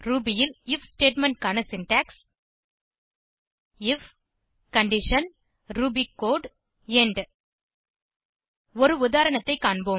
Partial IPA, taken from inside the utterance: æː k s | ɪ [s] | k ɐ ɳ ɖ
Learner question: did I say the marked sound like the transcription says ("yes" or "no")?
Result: no